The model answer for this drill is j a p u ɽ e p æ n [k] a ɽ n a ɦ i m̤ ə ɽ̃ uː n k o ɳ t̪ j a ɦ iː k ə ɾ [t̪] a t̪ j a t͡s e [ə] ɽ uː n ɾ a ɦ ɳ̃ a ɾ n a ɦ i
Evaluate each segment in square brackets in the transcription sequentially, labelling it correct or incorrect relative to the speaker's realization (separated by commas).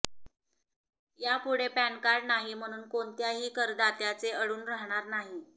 correct, incorrect, correct